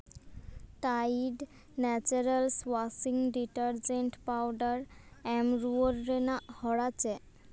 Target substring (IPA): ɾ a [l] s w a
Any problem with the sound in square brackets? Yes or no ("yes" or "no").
no